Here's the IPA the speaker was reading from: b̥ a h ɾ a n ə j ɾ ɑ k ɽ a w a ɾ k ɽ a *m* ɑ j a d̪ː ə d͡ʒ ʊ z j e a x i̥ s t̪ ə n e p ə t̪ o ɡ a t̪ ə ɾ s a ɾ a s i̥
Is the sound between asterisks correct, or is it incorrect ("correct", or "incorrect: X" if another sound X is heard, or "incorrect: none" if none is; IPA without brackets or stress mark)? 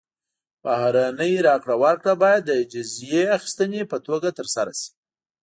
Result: incorrect: b